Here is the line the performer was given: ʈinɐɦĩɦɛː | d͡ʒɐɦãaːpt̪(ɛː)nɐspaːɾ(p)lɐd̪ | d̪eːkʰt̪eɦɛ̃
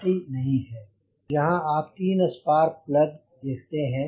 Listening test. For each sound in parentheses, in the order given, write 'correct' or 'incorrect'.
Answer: incorrect: iː, correct

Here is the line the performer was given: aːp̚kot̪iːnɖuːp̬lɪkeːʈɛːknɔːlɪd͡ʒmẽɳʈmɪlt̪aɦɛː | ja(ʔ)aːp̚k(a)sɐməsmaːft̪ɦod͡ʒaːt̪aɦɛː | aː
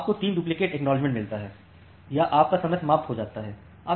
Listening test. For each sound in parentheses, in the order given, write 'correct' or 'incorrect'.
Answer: correct, correct

